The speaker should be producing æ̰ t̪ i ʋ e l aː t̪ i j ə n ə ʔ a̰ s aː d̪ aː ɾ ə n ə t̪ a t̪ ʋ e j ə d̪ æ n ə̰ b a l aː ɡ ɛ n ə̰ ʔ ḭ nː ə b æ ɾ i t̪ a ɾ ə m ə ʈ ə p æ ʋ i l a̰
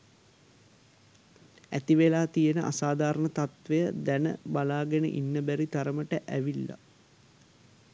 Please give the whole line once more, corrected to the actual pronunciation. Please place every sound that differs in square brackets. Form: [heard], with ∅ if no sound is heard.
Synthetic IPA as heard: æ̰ t̪ i ʋ e l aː t̪ i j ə n ə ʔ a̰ s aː d̪ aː ɾ ə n ə t̪ a t̪ ʋ e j ə d̪ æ n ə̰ b a l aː ɡ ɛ n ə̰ ʔ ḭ nː ə b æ ɾ i t̪ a ɾ ə m ə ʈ ə [ʔ] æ ʋ i [lː] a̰